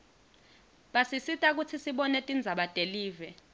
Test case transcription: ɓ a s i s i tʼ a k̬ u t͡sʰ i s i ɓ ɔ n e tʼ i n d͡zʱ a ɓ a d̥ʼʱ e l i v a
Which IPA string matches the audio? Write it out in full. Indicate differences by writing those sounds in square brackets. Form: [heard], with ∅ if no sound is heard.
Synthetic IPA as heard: ɓ a s i s i tʼ a k̬ u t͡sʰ i s i ɓ ɔ n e tʼ i n d͡zʱ a ɓ a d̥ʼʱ e l [iː] v [ɛ]